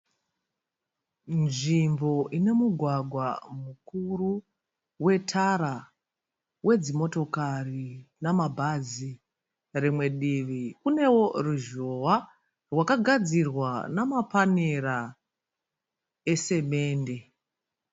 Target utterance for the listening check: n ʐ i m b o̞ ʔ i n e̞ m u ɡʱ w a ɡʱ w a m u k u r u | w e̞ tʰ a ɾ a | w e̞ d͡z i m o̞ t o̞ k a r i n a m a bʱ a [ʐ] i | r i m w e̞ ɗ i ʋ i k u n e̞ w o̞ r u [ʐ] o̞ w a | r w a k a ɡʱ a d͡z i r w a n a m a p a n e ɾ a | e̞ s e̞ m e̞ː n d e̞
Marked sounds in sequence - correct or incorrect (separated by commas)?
incorrect, incorrect